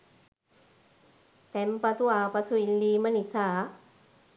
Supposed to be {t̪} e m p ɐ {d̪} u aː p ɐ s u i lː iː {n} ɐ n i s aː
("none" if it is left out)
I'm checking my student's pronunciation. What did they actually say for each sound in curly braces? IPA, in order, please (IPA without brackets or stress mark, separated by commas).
t̪, t̪, m